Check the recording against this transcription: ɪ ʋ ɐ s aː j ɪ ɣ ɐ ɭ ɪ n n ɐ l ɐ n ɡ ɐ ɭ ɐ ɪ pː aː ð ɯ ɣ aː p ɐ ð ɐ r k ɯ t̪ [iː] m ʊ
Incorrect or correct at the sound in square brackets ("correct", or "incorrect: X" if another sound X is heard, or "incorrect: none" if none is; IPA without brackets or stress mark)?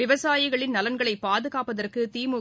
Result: correct